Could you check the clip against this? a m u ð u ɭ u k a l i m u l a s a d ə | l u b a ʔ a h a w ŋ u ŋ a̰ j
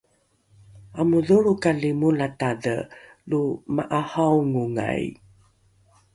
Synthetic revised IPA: a m u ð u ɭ u k a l i m u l a t a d ə | l u m a ʔ a h a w ŋ u ŋ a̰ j